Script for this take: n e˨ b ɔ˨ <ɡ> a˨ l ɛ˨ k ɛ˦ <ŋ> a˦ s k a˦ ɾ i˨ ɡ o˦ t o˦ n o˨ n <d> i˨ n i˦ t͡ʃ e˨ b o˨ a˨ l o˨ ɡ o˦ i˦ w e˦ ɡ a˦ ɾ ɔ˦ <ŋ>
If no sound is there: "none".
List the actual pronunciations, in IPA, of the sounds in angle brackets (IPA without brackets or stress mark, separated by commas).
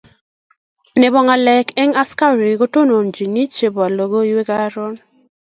ŋ, ŋ, d͡ʒ, n